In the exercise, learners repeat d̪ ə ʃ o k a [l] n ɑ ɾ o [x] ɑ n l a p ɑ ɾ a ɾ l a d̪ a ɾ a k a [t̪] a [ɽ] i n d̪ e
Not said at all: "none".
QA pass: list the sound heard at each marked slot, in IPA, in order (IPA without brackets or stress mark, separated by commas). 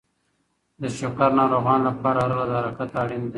ɾ, ɣ, t̪, ɽ